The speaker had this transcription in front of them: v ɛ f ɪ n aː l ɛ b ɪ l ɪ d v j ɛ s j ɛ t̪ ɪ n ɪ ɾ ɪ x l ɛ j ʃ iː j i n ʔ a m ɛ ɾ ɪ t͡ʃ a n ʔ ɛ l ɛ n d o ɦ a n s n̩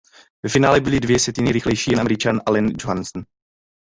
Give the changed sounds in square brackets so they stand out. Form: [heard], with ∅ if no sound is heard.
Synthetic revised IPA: v ɛ f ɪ n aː l ɛ b ɪ l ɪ d v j ɛ s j ɛ t̪ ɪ n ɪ ɾ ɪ x l ɛ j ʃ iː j [ɛ] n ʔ a m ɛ ɾ ɪ t͡ʃ a n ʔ [a] l ɛ n [d͡ʒ] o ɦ a n s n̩